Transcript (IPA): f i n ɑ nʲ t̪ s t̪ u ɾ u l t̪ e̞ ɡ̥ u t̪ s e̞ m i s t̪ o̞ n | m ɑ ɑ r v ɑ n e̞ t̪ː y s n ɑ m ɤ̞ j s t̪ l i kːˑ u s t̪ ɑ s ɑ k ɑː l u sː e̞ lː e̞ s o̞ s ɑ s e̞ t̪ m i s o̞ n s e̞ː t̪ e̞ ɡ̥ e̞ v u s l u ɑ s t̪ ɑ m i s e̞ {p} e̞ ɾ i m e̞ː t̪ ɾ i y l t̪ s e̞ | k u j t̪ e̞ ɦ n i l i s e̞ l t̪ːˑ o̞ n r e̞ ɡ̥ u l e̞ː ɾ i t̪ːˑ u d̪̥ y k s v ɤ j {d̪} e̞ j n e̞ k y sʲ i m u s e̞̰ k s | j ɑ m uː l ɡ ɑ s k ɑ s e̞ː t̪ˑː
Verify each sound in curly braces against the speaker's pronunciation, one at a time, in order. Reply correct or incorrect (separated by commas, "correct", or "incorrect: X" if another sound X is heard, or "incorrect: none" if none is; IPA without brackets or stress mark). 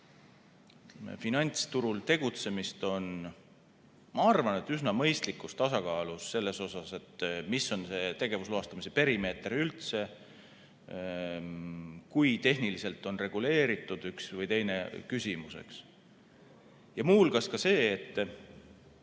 correct, incorrect: t̪